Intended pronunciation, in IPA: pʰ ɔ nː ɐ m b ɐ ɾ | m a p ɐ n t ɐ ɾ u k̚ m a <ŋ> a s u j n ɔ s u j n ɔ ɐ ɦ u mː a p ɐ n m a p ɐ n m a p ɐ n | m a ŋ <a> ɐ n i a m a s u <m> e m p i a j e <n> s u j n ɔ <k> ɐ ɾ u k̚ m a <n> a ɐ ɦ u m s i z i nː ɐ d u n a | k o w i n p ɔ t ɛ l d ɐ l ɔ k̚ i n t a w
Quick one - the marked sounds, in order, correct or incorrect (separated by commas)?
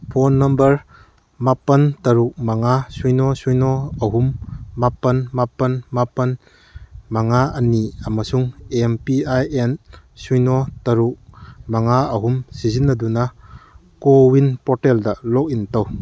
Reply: correct, correct, incorrect, correct, incorrect, incorrect